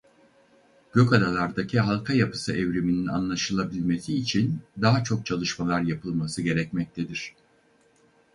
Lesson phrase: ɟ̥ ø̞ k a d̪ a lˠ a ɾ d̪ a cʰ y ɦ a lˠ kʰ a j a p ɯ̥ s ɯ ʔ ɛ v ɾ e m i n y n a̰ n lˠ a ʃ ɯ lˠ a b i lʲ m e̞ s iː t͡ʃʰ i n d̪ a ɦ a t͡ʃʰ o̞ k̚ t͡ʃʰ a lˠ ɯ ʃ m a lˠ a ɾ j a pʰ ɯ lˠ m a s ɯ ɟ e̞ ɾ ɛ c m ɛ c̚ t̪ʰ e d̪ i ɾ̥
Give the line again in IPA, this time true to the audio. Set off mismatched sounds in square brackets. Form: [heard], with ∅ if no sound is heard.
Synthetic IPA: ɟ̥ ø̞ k a d̪ a lˠ a ɾ d̪ a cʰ [i] ɦ a lˠ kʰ a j a p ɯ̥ s ɯ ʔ ɛ v ɾ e m i n [i] n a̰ n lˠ a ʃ ɯ lˠ a b i lʲ m e̞ s iː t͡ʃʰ i n d̪ a ɦ a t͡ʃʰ o̞ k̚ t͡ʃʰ a lˠ ɯ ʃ m a lˠ a ɾ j a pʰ ɯ lˠ m a s ɯ ɟ e̞ ɾ ɛ c m ɛ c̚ t̪ʰ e d̪ i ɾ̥